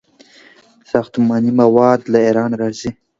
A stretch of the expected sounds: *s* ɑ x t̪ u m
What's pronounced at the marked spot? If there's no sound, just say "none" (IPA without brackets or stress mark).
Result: s